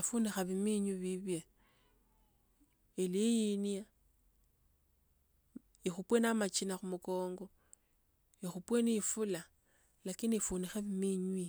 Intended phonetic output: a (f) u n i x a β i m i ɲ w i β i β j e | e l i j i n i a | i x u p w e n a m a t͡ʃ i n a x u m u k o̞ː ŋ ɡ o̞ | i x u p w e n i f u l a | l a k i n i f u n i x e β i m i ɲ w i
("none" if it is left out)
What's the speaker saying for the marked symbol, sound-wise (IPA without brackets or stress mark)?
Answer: f